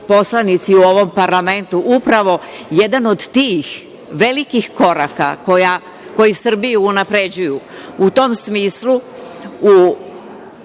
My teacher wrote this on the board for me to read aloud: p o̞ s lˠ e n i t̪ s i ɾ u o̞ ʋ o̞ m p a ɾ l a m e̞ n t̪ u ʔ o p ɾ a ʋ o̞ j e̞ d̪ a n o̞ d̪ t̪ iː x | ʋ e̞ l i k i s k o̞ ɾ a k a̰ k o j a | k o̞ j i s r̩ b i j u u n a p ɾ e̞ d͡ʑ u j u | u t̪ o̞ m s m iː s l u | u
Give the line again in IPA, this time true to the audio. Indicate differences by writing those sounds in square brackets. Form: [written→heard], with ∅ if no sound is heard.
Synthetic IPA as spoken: p o̞ s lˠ [e→a] n i t̪ s i [ɾ→∅] u o̞ ʋ o̞ m p a ɾ l a m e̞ n t̪ u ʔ [o→u] p ɾ a ʋ o̞ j e̞ d̪ a n o̞ d̪ t̪ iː x | ʋ e̞ l i k i [s→x] k o̞ ɾ a k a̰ k o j a | k o̞ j i s r̩ b i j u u n a p ɾ e̞ d͡ʑ u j u | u t̪ o̞ m s m iː s l u | u

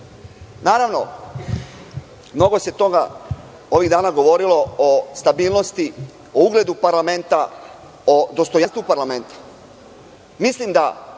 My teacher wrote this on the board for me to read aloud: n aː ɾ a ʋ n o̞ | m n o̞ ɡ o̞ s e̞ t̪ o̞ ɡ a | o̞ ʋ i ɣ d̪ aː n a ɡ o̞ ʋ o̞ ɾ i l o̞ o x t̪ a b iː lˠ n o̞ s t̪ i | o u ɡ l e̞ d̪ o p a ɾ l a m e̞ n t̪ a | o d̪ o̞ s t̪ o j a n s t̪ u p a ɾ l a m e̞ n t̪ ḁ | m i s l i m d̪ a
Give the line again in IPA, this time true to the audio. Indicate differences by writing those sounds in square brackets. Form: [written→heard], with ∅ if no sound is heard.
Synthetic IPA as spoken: n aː ɾ a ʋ n o̞ | m n o̞ ɡ o̞ s e̞ t̪ o̞ ɡ a | o̞ ʋ i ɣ d̪ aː n a ɡ o̞ ʋ o̞ ɾ i l o̞ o [x→s] t̪ a b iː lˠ n o̞ s t̪ i | o u ɡ l e̞ d̪ [o→u] p a ɾ l a m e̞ n t̪ a | o d̪ o̞ s t̪ o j a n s t̪ u p a ɾ l a m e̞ n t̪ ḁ | m i s l i m d̪ a

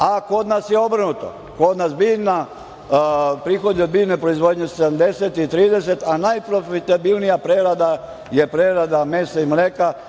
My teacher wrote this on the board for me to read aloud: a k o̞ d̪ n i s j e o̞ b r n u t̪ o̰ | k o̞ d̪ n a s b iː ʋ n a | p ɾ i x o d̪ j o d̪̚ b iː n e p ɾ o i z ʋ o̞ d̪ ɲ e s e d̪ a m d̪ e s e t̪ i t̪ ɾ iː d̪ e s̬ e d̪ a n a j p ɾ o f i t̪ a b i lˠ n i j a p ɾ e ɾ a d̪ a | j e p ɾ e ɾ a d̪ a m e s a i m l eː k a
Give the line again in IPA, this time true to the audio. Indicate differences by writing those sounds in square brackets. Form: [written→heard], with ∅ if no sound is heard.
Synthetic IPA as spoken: a k o̞ d̪ n [i→a] s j e o̞ b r n u t̪ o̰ | k o̞ d̪ n a s b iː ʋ n a | p ɾ i x o d̪ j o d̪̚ b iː n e p ɾ o i z ʋ o̞ d̪ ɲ e s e d̪ a m d̪ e s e t̪ i t̪ ɾ iː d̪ e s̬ e [d̪→t̪] a n a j p ɾ o f i t̪ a b i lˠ n i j a p ɾ e ɾ a d̪ a | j e p ɾ e ɾ a d̪ a m e s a i m l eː k a

